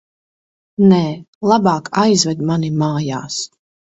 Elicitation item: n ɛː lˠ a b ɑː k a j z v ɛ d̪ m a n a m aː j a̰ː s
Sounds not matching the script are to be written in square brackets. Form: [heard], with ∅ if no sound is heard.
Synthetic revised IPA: n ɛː lˠ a b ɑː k a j z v ɛ d̪ m a n [i] m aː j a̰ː s